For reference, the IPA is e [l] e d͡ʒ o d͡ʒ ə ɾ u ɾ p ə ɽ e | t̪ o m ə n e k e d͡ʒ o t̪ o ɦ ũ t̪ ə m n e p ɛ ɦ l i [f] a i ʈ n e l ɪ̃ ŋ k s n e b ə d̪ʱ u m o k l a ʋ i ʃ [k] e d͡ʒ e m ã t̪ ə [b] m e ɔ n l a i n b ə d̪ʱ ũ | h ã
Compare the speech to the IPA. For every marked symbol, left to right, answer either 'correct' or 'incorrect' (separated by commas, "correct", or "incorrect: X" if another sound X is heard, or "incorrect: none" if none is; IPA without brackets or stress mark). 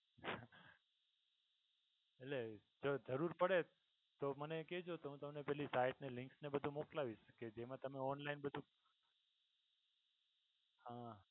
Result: correct, incorrect: s, correct, incorrect: none